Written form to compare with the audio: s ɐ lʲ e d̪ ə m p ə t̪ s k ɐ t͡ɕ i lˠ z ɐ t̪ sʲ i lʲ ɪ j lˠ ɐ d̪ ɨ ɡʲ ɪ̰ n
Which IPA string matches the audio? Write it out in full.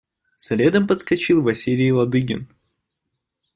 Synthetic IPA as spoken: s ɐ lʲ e d̪ ə m p ə t̪ s k ɐ t͡ɕ i lˠ v ɐ sʲ i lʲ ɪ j lˠ ɐ d̪ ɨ ɡʲ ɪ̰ n